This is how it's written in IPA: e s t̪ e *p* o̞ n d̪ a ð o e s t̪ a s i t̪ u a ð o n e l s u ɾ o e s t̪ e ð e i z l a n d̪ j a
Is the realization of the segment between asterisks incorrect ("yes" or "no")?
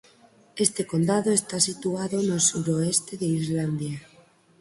yes